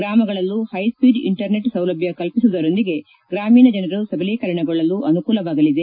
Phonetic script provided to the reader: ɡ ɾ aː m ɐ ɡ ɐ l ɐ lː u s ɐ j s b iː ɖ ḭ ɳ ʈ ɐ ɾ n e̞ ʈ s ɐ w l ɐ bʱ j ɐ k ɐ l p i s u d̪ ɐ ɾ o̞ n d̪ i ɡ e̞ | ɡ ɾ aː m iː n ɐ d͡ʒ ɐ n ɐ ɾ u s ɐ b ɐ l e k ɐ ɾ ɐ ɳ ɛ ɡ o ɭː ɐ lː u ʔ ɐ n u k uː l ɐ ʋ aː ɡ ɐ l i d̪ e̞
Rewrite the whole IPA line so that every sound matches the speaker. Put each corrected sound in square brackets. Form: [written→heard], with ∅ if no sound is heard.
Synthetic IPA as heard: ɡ ɾ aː m ɐ ɡ ɐ [l→ɭ] ɐ lː u [s→h] ɐ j s [b→p] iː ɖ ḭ ɳ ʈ ɐ ɾ n e̞ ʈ s ɐ w l ɐ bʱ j ɐ k ɐ l p i s u d̪ ɐ ɾ o̞ n d̪ i ɡ e̞ | ɡ ɾ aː m iː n ɐ d͡ʒ ɐ n ɐ ɾ u s ɐ b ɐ l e k ɐ ɾ ɐ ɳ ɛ ɡ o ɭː ɐ lː u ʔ ɐ n u k uː l ɐ ʋ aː ɡ ɐ l i d̪ e̞